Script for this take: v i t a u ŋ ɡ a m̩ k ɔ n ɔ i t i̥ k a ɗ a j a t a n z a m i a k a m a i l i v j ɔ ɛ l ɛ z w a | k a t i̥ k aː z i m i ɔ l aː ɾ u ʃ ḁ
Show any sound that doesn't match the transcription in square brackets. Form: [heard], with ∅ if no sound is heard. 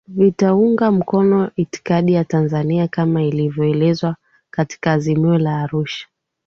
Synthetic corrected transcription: v i t a u ŋ ɡ a m̩ k ɔ n ɔ i t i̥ k a ɗ [i] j a t a n z a [n] i a k a m a i l i v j ɔ ɛ l ɛ z w a | k a t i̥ k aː z i m i ɔ l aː ɾ u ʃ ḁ